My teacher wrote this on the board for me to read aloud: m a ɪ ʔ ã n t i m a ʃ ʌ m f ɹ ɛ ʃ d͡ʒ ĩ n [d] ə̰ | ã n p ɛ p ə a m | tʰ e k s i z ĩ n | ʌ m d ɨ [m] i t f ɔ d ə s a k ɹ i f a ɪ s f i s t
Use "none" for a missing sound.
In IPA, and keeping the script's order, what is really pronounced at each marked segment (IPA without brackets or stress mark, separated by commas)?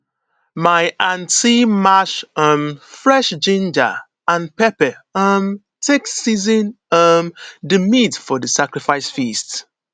d͡ʒ, m